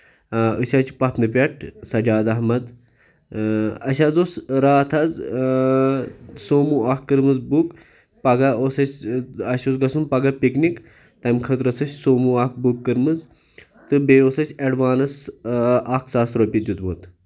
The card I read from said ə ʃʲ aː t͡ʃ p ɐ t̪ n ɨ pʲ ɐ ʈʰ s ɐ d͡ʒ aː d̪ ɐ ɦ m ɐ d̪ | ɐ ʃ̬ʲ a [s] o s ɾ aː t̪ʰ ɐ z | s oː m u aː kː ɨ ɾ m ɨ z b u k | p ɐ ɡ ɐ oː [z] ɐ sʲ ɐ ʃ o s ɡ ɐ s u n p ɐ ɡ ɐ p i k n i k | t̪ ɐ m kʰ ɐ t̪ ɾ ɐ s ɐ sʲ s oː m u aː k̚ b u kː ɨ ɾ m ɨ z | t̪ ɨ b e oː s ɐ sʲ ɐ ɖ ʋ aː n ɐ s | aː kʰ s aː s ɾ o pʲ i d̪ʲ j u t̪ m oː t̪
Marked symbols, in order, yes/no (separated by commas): no, no